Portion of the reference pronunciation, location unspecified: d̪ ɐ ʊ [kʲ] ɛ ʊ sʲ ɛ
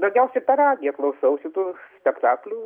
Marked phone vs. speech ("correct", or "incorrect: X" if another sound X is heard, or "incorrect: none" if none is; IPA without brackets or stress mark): incorrect: ɡʲ